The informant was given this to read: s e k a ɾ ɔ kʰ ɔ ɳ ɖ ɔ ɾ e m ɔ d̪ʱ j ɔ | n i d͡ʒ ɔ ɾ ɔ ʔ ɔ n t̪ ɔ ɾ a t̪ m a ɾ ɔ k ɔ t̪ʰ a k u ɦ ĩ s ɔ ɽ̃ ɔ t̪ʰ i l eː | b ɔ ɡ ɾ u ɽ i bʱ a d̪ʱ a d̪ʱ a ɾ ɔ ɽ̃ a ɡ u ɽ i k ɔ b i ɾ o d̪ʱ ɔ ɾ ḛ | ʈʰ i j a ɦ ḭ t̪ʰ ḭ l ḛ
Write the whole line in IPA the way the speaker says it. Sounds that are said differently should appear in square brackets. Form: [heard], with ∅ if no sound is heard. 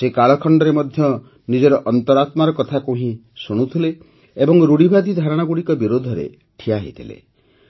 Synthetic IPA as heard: s e k a [ɭ] ɔ kʰ ɔ ɳ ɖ ɔ ɾ e m ɔ d̪ʱ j ɔ | n i d͡ʒ ɔ ɾ ɔ ʔ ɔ n t̪ ɔ ɾ a t̪ m a ɾ ɔ k ɔ t̪ʰ a k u ɦ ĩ s [u] ɽ̃ [u] t̪ʰ i l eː | b ɔ [ŋ] ɾ u ɽ i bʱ a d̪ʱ [i] d̪ʱ a ɾ ɔ ɽ̃ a ɡ u ɽ i k ɔ b i ɾ o d̪ʱ ɔ ɾ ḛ | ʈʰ i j a ɦ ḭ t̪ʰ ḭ l ḛ